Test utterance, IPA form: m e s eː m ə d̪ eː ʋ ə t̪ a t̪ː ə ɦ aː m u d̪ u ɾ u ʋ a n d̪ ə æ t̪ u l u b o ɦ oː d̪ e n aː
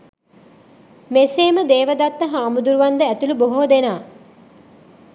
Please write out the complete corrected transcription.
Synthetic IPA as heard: m e s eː m ə d̪ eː ʋ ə d̪ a t̪ː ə ɦ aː m u d̪ u ɾ u ʋ a n d̪ ə æ t̪ u l u b o ɦ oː d̪ e n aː